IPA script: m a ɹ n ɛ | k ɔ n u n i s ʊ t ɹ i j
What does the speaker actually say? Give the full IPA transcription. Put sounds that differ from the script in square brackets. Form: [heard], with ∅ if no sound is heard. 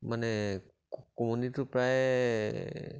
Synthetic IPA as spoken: m a [∅] n ɛ | k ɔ [m] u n i [t] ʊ [p] ɹ [a] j